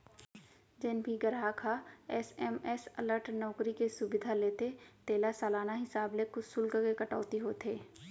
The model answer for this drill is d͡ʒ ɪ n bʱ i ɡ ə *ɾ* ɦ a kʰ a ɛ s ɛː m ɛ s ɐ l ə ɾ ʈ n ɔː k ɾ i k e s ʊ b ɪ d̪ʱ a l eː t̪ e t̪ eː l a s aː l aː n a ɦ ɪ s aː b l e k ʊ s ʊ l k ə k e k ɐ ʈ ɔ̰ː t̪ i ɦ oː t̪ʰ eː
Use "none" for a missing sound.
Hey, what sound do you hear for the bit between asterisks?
ɾ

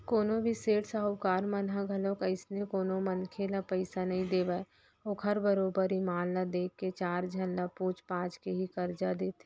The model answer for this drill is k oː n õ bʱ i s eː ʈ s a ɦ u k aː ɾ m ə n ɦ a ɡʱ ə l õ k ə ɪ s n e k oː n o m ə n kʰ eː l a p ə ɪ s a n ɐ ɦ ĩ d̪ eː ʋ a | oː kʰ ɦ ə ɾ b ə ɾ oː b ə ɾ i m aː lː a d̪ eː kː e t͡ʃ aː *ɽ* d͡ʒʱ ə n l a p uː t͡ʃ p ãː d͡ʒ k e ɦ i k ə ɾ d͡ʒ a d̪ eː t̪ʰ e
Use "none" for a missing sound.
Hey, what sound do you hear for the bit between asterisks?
ɾ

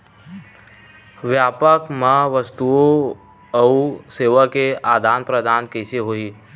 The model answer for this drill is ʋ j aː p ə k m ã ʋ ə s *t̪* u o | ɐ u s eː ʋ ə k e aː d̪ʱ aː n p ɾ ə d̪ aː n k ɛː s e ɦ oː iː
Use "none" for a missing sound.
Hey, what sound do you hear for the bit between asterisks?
t̪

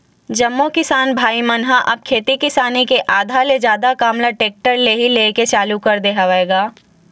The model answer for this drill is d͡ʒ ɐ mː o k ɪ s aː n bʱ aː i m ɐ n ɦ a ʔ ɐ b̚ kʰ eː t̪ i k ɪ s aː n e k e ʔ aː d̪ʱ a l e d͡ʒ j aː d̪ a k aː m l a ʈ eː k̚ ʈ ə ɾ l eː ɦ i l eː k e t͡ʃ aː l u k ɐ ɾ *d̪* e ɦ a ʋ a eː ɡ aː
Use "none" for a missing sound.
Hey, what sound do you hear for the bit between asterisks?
d̪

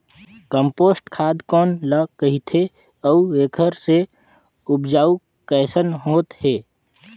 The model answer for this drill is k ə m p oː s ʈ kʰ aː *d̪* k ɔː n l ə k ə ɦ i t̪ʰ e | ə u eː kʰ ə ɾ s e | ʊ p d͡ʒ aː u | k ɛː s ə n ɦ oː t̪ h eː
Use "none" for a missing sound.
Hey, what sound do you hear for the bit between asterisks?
d̪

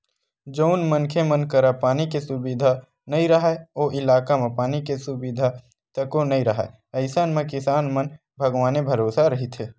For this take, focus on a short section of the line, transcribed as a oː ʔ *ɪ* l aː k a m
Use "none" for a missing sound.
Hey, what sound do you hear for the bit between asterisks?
ɪ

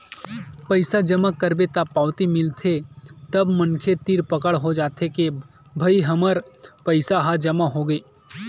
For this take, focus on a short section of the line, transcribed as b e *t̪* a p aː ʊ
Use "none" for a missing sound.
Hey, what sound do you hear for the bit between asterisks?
t̪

